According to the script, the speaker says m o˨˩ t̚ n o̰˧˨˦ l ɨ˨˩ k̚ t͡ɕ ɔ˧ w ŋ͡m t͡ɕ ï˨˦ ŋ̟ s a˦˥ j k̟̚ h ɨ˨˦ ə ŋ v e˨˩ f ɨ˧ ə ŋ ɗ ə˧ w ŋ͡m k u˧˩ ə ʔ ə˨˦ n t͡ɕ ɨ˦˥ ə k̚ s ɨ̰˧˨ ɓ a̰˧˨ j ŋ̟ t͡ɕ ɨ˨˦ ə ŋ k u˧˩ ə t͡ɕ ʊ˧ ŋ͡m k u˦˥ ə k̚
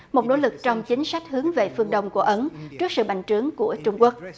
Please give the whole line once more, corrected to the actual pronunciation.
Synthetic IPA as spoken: m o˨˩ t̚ n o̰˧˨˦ l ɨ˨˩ k̚ t͡ɕ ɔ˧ w ŋ͡m t͡ɕ ï˨˦ ŋ̟ s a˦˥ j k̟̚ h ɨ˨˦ ə ŋ v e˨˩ f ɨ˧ ə ŋ ɗ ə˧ w ŋ͡m k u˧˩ ə ʔ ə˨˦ n t͡ɕ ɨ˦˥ ə k̚ s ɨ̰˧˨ ɓ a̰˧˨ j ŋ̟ t͡ɕ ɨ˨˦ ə ŋ k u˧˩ ə t͡ɕ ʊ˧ ŋ͡m k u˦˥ ə k̚